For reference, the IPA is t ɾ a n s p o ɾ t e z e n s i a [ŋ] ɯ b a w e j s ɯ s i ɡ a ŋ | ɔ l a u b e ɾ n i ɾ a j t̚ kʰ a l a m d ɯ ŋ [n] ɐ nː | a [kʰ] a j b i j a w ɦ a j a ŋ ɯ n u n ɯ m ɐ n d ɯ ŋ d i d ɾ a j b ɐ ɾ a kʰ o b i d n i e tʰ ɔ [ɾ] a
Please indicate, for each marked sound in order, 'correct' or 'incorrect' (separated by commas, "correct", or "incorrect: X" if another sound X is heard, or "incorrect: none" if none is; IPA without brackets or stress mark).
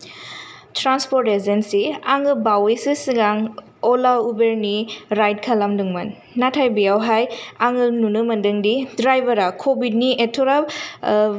correct, incorrect: m, incorrect: tʰ, correct